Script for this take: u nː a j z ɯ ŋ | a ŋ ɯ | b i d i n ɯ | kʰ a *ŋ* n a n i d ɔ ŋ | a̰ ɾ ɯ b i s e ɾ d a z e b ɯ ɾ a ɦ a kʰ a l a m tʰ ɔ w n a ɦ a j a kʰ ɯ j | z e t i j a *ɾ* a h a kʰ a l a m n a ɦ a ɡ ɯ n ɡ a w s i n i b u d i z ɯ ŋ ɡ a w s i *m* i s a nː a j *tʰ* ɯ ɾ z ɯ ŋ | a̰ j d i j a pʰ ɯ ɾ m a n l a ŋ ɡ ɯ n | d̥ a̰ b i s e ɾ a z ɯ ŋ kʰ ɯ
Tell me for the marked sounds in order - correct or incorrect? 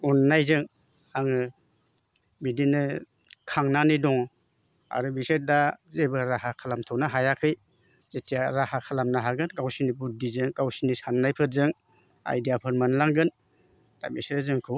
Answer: correct, correct, incorrect: n, incorrect: pʰ

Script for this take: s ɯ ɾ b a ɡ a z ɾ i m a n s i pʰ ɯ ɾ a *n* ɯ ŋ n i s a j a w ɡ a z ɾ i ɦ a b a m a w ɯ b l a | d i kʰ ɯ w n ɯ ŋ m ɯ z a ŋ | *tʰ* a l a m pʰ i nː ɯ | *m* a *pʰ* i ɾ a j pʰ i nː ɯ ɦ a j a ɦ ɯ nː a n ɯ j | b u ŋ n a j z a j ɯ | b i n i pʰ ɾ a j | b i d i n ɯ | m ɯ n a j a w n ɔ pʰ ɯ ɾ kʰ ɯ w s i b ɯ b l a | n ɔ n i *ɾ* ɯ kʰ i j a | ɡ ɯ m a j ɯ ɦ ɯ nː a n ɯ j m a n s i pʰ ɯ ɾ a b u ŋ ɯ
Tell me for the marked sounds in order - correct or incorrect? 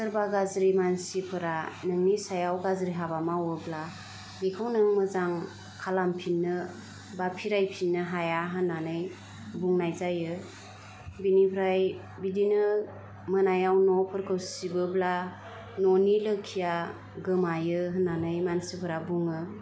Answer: correct, incorrect: kʰ, incorrect: b, correct, incorrect: l

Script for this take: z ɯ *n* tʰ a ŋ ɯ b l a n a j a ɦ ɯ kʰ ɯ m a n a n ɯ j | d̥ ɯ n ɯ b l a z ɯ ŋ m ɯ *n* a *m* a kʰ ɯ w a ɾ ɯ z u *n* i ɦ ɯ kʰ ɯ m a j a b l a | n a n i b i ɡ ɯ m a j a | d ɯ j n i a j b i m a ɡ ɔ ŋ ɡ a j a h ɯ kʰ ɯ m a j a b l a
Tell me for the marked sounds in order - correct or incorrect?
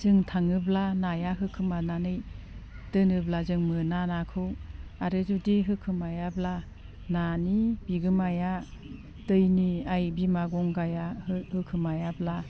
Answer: incorrect: ŋ, correct, incorrect: n, incorrect: d

